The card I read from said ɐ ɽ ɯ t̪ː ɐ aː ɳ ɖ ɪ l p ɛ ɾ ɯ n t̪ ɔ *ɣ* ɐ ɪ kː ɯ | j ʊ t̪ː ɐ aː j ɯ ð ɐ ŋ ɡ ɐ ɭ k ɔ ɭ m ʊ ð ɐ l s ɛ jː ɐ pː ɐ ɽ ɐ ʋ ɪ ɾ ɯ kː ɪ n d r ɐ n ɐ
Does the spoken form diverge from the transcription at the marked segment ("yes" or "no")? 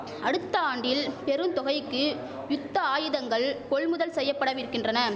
no